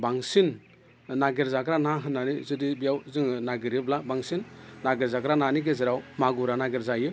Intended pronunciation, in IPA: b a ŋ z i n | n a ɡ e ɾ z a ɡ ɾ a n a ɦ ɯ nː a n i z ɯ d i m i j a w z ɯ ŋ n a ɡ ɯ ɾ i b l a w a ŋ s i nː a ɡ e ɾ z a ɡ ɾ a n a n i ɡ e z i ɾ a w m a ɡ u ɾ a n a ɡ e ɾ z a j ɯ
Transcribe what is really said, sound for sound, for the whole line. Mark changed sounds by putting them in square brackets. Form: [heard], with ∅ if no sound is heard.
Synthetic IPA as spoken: b a ŋ [s] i n | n a ɡ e ɾ z a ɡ ɾ a n a ɦ ɯ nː a n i z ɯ d i [b] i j a w z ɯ ŋ n a ɡ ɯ ɾ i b l a [b] a ŋ s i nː a ɡ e ɾ z a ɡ ɾ a n a n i ɡ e z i ɾ a w m a ɡ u ɾ a n a ɡ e ɾ z a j ɯ